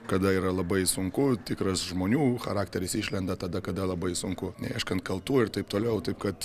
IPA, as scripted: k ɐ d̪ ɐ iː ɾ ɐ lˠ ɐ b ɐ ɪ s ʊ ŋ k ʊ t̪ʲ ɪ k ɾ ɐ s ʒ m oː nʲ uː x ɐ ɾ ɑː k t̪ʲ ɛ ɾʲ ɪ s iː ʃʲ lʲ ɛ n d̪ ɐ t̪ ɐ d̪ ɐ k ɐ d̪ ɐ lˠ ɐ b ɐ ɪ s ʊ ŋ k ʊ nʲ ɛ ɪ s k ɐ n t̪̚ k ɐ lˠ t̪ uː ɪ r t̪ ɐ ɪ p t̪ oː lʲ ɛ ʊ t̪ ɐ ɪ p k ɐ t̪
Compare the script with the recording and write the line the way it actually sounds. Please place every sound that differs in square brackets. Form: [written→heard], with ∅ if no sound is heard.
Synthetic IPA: k ɐ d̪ ɐ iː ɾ ɐ lˠ ɐ b ɐ ɪ s ʊ ŋ k ʊ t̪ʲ ɪ k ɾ ɐ s ʒ m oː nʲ uː x ɐ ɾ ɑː k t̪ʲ ɛ ɾʲ ɪ s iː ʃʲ lʲ ɛ n d̪ ɐ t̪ ɐ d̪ ɐ k ɐ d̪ ɐ lˠ ɐ b ɐ ɪ s ʊ ŋ k ʊ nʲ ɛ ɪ [s→ʃ] k ɐ n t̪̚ k ɐ lˠ t̪ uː ɪ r t̪ ɐ ɪ p t̪ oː lʲ ɛ ʊ t̪ ɐ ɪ p k ɐ t̪